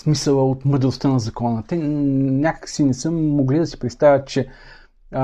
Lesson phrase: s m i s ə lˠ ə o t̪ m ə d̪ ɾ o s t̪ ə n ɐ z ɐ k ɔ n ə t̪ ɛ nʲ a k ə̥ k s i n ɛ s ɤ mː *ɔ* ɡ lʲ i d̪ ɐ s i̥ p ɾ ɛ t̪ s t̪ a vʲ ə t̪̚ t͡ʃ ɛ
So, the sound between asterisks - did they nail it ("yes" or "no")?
no